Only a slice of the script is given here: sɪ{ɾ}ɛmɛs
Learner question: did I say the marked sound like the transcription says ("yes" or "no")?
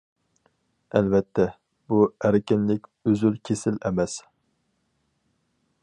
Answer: no